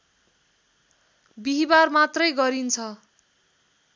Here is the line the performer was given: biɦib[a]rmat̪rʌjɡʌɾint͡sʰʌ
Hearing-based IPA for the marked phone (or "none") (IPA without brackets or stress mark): a